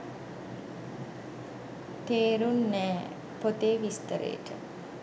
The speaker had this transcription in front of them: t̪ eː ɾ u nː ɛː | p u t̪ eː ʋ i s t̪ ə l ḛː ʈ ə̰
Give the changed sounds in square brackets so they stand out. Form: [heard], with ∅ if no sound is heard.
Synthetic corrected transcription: t̪ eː ɾ u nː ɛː | p [o] t̪ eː ʋ i s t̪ ə [ɾ] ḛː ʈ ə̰